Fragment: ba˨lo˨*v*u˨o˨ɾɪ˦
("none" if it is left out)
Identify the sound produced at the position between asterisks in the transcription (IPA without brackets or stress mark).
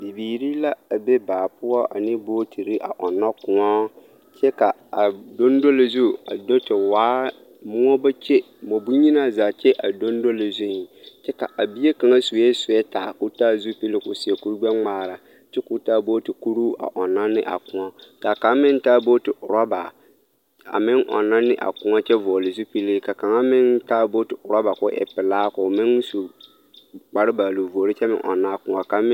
v